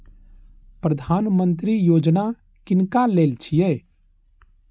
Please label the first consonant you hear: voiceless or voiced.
voiceless